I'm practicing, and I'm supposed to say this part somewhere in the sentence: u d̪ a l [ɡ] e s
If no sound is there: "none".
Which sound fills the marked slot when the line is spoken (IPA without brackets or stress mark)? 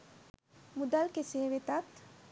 k